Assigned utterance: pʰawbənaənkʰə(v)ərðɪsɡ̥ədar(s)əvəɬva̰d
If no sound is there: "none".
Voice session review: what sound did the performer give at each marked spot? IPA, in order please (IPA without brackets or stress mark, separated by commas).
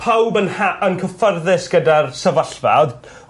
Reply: f, s